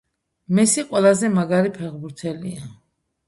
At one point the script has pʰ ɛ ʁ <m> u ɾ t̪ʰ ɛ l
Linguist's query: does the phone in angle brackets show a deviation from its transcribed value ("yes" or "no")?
yes